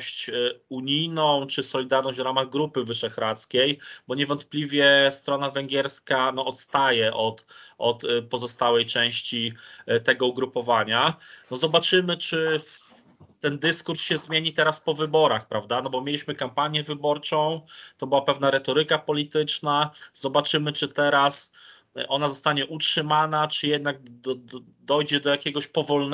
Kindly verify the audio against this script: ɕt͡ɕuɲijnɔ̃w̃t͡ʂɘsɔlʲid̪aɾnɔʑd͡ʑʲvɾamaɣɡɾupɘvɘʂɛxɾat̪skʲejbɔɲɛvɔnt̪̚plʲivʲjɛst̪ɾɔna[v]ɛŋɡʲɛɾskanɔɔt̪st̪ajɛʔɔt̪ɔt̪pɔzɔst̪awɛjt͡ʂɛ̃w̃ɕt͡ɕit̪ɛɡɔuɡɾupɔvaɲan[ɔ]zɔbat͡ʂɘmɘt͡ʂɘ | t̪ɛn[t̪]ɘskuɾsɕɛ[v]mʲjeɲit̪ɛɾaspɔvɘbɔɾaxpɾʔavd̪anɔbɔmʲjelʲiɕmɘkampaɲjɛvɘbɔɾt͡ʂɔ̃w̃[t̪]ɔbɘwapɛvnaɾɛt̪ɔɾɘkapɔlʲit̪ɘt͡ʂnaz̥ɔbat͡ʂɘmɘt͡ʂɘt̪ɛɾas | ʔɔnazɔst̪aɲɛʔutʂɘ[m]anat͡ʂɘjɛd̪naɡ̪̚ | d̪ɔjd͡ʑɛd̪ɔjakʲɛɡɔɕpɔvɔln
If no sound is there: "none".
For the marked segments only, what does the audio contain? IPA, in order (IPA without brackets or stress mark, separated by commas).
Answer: v, ɔ, d̪, z, t̪, m